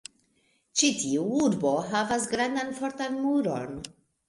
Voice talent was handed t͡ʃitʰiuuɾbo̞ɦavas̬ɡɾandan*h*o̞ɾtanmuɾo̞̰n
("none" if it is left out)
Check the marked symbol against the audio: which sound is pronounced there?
f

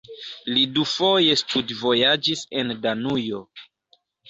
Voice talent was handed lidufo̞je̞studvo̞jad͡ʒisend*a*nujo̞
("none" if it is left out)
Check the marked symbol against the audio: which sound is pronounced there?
a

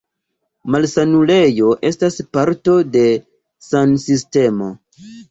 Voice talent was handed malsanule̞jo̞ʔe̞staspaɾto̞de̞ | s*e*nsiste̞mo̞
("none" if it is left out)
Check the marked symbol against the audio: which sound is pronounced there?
a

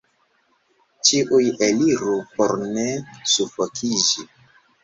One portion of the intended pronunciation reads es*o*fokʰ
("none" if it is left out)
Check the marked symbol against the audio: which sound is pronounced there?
u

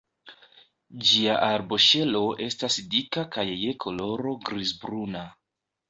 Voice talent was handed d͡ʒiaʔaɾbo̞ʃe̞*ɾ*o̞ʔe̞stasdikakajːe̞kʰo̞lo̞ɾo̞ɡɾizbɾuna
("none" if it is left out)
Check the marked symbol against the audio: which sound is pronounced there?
l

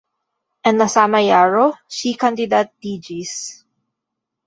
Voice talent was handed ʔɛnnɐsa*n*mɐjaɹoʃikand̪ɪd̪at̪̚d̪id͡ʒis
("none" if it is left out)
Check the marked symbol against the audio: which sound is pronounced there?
none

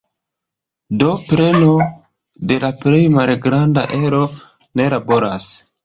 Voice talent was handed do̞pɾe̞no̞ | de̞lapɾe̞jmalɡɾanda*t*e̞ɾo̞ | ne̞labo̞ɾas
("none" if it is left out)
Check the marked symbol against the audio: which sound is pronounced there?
ʔ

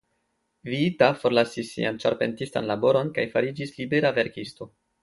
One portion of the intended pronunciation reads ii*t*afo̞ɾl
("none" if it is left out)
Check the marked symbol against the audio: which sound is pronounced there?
t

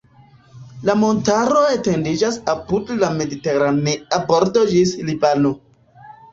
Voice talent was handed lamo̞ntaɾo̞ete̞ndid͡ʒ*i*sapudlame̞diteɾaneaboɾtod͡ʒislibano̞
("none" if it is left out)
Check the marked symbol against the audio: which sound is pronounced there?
a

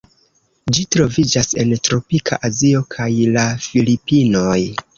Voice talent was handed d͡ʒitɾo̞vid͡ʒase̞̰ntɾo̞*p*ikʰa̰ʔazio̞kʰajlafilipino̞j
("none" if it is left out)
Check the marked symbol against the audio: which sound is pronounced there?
p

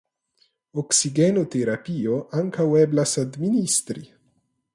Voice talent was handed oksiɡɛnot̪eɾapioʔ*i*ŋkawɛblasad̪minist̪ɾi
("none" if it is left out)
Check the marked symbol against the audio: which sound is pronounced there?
a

